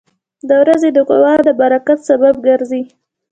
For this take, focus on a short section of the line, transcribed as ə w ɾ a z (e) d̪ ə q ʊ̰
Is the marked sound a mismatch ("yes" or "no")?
no